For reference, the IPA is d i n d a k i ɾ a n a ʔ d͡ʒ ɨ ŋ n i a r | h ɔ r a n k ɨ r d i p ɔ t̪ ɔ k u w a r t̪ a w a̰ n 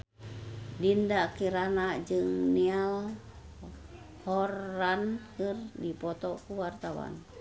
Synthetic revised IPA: d i n d a k i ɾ a n a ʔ d͡ʒ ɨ ŋ n i a l | h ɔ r a n k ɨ r d i p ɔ t̪ ɔ k u w a r t̪ a w a̰ n